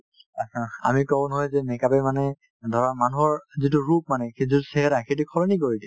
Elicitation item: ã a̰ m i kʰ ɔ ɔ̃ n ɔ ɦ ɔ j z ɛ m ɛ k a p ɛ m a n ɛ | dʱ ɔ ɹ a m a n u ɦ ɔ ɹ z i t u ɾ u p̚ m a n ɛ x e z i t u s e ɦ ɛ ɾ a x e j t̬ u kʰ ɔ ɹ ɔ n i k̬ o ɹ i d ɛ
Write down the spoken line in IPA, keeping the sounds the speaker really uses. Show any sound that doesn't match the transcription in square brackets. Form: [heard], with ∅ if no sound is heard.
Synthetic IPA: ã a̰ m i [k] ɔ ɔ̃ n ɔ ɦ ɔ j z ɛ m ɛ k a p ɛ m a n ɛ | dʱ ɔ ɹ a m a n u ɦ ɔ ɹ z i t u [ɹ] u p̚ m a n ɛ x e z i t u s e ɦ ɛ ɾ a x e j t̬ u kʰ ɔ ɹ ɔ n i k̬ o ɹ i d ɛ